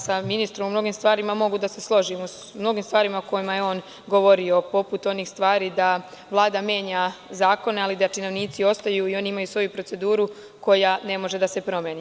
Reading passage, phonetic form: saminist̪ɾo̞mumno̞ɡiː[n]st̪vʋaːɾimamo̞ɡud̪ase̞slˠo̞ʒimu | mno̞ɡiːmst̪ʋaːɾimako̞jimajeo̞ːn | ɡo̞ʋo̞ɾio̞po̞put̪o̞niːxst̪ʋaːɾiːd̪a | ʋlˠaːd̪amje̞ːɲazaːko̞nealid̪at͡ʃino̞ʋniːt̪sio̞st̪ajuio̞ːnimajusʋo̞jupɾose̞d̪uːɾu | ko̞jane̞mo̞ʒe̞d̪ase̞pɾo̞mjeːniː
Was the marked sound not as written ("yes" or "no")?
yes